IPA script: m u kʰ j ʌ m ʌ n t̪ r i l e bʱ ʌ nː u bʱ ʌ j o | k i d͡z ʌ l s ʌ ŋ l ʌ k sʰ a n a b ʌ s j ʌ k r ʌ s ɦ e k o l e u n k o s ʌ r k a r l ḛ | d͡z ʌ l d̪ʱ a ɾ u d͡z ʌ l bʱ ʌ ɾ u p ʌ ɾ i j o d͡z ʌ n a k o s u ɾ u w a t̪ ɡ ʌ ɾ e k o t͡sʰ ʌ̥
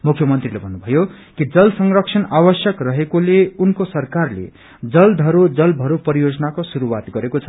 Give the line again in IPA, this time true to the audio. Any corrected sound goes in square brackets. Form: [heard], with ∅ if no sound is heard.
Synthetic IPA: m u kʰ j ʌ m ʌ n t̪ r i l e bʱ ʌ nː u bʱ ʌ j o | k i d͡z ʌ l s ʌ ŋ [r] ʌ k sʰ [ʌ] n a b ʌ s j ʌ k r ʌ [∅] ɦ e k o l e u n k o s ʌ r k a r l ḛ | d͡z ʌ l d̪ʱ [ʌ] ɾ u d͡z ʌ l bʱ ʌ ɾ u p ʌ ɾ i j o d͡z ʌ n a k o s u ɾ u w a t̪ ɡ ʌ ɾ e k o t͡sʰ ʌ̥